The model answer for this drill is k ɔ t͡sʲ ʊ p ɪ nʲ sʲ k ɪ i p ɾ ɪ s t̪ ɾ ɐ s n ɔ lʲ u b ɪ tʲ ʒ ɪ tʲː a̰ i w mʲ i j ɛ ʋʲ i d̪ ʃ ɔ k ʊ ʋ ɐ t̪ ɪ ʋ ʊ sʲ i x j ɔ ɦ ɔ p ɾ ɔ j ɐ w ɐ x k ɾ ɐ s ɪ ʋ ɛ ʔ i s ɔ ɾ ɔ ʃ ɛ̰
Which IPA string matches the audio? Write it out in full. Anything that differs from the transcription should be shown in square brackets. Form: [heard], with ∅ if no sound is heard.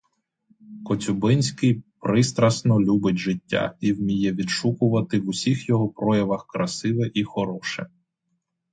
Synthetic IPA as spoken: k ɔ t͡sʲ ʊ [b] ɪ nʲ sʲ k ɪ [j] p ɾ ɪ s t̪ ɾ ɐ s n ɔ lʲ u b ɪ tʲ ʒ ɪ tʲː a̰ i w mʲ i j ɛ ʋʲ i d̪ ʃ [u] k ʊ ʋ ɐ t̪ ɪ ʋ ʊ sʲ i x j ɔ ɦ ɔ p ɾ ɔ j ɐ [ʋ] ɐ x k ɾ ɐ s ɪ ʋ ɛ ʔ i [x] ɔ ɾ ɔ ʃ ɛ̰

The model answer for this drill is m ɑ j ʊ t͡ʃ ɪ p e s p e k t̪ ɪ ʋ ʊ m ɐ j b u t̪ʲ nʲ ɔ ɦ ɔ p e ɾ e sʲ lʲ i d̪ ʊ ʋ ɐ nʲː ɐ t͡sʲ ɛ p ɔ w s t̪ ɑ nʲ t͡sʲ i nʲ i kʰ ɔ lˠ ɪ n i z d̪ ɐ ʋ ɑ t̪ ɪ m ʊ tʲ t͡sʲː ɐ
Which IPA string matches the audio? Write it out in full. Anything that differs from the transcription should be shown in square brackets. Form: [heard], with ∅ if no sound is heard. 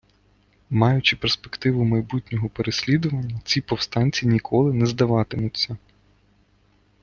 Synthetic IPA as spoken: m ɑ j ʊ t͡ʃ ɪ p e s p e k t̪ ɪ ʋ ʊ m ɐ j b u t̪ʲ nʲ ɔ ɦ ɔ p e ɾ e sʲ lʲ i d̪ ʊ ʋ ɐ nʲː ɐ t͡sʲ [i] p ɔ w s t̪ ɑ nʲ t͡sʲ i nʲ i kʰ ɔ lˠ ɪ n [ɛ] z d̪ ɐ ʋ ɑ t̪ ɪ m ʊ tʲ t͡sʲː ɐ

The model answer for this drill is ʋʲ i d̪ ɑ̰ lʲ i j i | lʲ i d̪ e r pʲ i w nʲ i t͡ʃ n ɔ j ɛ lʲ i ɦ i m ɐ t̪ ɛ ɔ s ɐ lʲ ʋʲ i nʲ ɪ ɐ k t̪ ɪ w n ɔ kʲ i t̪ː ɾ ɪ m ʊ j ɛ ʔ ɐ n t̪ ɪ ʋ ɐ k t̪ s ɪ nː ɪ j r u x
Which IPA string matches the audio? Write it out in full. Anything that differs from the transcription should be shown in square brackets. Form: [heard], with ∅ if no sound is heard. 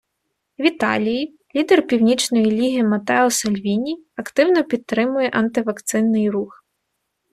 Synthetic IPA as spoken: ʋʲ i [t̪] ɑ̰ lʲ i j i | lʲ i d̪ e r pʲ i w nʲ i t͡ʃ n ɔ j [i] lʲ i ɦ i m ɐ t̪ ɛ ɔ s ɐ lʲ ʋʲ i nʲ [i] ɐ k t̪ ɪ w n ɔ [pʲ] i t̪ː ɾ ɪ m ʊ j ɛ ʔ ɐ n t̪ ɪ ʋ ɐ k t̪ s ɪ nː ɪ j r u x

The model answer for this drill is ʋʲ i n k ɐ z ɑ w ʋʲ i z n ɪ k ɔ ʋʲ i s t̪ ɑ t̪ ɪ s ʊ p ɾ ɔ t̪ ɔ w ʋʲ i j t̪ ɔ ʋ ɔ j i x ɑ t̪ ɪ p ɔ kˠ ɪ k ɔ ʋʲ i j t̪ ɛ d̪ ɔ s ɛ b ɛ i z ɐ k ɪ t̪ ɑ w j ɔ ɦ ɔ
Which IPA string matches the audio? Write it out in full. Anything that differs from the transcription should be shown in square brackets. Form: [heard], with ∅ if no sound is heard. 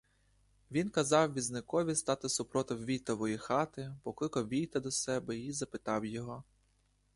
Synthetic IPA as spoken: ʋʲ i n k ɐ z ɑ w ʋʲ i z n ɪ k ɔ ʋʲ i s t̪ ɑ t̪ ɪ s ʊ p ɾ ɔ t̪ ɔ w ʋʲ i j t̪ ɔ ʋ ɔ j i x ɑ t̪ ɪ p ɔ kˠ ɪ k ɔ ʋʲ i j t̪ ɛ d̪ ɔ s ɛ b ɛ i z ɐ [p] ɪ t̪ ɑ w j ɔ ɦ ɔ

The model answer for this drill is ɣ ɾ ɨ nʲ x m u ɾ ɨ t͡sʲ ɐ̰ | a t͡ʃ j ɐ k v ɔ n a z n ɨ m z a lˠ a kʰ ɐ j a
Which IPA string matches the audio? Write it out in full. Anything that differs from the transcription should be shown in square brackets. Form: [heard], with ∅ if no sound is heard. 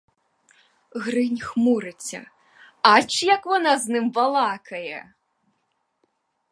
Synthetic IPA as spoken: ɣ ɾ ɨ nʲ x m u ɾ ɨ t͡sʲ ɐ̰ | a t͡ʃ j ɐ k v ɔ n a z n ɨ m [v] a lˠ a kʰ ɐ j [ɛ]

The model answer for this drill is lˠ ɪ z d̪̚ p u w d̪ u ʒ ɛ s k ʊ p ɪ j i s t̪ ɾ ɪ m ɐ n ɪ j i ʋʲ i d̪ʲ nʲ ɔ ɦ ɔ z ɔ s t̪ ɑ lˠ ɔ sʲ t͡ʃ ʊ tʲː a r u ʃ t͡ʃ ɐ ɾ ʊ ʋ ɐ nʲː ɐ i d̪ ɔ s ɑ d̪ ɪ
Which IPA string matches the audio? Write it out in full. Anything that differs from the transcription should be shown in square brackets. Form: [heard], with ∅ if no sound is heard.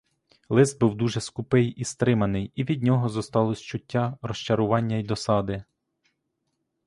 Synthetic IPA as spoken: lˠ ɪ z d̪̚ [b] u w d̪ u ʒ ɛ s k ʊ p ɪ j i s t̪ ɾ ɪ m ɐ n ɪ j i ʋʲ i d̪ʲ nʲ ɔ ɦ ɔ z ɔ s t̪ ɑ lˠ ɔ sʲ t͡ʃ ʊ tʲː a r [ɔ] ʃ t͡ʃ ɐ ɾ ʊ ʋ [ɑ] nʲː ɐ i d̪ ɔ s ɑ d̪ ɪ

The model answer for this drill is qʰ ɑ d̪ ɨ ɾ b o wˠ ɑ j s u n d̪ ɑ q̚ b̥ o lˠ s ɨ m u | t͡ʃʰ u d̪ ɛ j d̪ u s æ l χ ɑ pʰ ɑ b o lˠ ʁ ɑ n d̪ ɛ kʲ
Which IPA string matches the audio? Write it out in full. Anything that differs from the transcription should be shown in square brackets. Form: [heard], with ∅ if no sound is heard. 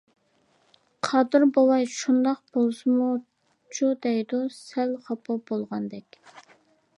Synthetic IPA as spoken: qʰ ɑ d̪ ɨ ɾ b o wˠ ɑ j [ʃ] u n d̪ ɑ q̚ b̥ o lˠ s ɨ m u | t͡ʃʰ u d̪ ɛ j d̪ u s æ l χ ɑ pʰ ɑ b o lˠ ʁ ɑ n d̪ ɛ kʲ

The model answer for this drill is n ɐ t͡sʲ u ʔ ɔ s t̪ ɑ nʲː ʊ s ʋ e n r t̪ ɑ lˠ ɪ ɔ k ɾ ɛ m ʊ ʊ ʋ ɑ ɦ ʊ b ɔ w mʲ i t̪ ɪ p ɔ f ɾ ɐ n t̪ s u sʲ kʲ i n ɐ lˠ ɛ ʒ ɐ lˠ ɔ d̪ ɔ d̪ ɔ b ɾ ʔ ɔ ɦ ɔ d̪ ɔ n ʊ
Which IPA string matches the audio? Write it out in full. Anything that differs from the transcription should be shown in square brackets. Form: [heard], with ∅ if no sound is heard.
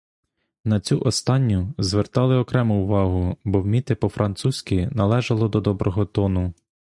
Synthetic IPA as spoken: n ɐ t͡sʲ u ʔ ɔ s t̪ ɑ nʲː ʊ [z] ʋ e [∅] r t̪ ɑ lˠ ɪ ɔ k ɾ ɛ m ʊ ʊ ʋ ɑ ɦ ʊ b ɔ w mʲ i t̪ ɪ p ɔ f ɾ ɐ n t̪ s u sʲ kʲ i n ɐ lˠ ɛ ʒ ɐ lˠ ɔ d̪ ɔ d̪ ɔ b ɾ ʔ ɔ ɦ ɔ [t̪] ɔ n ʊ

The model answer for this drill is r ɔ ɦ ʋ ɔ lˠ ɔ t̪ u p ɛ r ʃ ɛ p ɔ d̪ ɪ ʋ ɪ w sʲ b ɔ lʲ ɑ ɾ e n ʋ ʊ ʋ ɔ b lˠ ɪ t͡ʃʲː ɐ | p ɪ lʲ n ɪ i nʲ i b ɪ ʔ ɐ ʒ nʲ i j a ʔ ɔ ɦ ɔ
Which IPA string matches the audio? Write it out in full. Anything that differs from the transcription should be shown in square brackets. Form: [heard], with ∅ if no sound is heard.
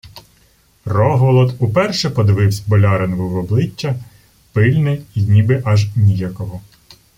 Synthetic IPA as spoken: r ɔ ɦ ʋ ɔ lˠ ɔ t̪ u p ɛ r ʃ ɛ p ɔ d̪ ɪ ʋ ɪ w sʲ b ɔ lʲ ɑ ɾ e n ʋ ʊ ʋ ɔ b lˠ ɪ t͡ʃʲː ɐ | p ɪ lʲ n ɪ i nʲ i b ɪ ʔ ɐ ʒ nʲ i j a [k] ɔ ɦ ɔ

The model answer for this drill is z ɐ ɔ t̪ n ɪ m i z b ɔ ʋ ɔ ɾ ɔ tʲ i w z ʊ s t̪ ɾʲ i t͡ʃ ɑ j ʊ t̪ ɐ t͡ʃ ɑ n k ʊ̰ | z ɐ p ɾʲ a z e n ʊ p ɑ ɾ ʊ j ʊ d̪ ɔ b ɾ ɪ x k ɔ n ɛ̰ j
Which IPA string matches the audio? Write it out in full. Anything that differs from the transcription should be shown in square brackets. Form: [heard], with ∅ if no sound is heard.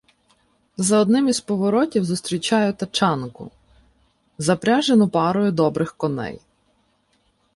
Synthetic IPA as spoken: z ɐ ɔ [d̪] n ɪ m i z [p] ɔ ʋ ɔ ɾ ɔ tʲ i w z ʊ s t̪ ɾʲ i t͡ʃ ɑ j ʊ t̪ ɐ t͡ʃ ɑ n k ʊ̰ | z ɐ p ɾʲ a [ʒ] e n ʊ p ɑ ɾ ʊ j ʊ d̪ ɔ b ɾ ɪ x k ɔ n ɛ̰ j

